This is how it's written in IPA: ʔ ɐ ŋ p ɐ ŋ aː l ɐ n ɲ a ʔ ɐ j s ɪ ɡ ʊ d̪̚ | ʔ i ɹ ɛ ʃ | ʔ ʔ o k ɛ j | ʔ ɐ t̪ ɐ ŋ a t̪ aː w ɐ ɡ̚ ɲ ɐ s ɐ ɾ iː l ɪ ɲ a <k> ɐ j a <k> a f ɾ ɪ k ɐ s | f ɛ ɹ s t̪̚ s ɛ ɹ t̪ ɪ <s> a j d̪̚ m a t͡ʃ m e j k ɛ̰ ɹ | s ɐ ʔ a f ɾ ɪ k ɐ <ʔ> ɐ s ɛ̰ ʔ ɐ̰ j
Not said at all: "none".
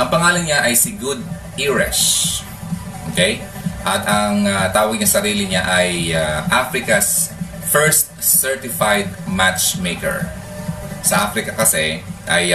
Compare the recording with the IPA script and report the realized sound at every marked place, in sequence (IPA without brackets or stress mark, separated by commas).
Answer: ʔ, ʔ, f, k